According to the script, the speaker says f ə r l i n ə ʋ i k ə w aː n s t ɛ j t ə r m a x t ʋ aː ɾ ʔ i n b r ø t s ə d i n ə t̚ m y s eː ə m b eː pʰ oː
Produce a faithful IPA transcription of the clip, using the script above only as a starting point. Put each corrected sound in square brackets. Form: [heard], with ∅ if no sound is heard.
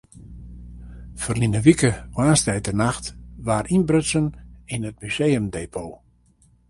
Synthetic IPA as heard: f ə r l i n ə ʋ i k ə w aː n s t ɛ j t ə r [n] a x t ʋ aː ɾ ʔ i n b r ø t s ə [n] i n ə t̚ m y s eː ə m [d] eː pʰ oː